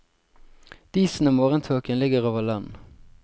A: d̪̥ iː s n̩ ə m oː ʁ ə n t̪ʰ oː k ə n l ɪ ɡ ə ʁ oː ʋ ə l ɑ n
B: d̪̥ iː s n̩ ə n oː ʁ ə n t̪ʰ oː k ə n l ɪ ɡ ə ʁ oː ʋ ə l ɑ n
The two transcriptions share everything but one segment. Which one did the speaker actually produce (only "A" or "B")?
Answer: A